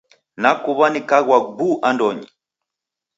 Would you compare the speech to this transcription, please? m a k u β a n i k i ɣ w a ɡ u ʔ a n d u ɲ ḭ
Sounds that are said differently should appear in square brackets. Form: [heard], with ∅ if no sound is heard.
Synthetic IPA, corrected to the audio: [n] a k u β a n i k [a] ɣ w a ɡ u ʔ a n d [ɔ] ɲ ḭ